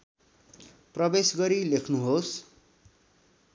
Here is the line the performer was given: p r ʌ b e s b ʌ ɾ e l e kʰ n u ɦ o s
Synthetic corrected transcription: p r ʌ b e s ɡ ʌ ɾ i l e kʰ n u ɦ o s